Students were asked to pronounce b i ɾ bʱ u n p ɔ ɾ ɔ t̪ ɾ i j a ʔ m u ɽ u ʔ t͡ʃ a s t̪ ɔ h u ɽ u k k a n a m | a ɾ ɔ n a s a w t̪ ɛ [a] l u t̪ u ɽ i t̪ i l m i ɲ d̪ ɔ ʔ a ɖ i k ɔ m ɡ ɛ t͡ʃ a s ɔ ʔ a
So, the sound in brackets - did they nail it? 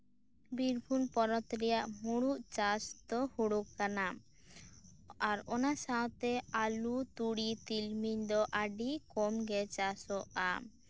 yes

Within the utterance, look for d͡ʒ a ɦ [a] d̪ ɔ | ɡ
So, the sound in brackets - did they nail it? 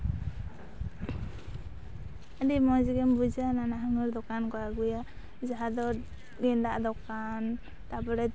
yes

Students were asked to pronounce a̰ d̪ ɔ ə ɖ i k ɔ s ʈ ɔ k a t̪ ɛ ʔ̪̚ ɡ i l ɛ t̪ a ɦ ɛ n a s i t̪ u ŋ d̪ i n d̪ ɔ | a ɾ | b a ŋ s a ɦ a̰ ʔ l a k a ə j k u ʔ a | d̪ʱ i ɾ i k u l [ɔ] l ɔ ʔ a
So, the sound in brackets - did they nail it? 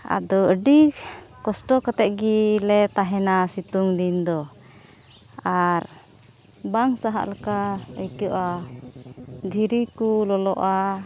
yes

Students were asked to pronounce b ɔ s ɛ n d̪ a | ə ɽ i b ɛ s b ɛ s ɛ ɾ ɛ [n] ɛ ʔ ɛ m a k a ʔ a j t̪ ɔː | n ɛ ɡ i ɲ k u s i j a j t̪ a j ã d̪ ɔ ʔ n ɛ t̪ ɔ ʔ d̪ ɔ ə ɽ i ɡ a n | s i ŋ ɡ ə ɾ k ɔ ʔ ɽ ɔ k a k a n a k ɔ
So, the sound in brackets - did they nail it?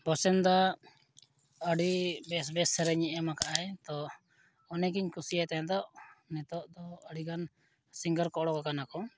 no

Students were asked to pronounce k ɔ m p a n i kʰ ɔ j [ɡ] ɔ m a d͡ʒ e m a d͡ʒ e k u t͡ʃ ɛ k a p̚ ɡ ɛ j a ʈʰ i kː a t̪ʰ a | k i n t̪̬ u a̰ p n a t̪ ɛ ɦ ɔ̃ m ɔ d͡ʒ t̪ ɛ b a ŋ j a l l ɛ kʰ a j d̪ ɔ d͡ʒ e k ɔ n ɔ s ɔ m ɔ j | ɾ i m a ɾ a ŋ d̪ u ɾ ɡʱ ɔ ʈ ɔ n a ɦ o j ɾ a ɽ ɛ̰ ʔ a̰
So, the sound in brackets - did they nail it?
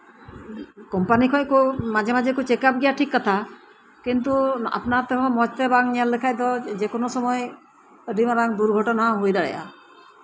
no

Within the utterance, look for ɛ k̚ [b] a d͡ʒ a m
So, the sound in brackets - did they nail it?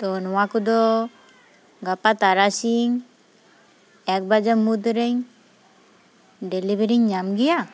yes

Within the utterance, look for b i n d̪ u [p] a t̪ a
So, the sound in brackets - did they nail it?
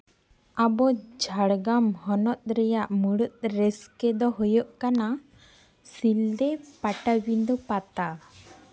yes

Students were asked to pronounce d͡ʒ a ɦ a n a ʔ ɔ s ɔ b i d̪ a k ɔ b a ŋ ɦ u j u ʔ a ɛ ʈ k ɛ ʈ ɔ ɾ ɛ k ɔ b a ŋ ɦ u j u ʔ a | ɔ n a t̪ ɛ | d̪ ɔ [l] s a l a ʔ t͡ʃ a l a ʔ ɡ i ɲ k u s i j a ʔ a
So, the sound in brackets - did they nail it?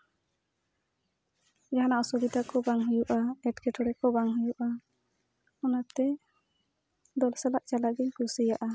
yes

